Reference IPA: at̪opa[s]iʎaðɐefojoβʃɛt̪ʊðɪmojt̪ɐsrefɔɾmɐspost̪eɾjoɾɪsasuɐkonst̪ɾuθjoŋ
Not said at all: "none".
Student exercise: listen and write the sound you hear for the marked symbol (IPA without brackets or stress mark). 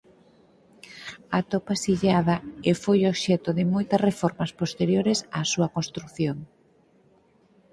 s